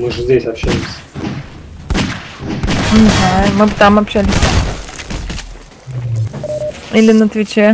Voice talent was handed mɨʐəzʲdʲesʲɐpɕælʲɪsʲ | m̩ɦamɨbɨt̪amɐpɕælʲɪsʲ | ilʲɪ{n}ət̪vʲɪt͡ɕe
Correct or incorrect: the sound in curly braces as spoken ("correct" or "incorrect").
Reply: correct